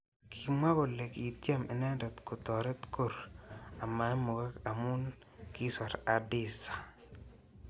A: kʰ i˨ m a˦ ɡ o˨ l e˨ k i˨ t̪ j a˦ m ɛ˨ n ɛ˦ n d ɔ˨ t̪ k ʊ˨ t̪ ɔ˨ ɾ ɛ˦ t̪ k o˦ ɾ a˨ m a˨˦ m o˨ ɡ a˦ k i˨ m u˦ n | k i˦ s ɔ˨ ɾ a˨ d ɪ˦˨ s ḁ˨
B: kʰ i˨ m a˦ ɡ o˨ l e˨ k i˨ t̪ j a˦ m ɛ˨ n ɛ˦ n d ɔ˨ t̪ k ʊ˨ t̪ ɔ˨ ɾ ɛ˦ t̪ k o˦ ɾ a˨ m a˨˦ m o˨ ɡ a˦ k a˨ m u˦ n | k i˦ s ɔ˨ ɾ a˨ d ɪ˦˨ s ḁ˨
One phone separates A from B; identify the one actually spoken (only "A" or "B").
B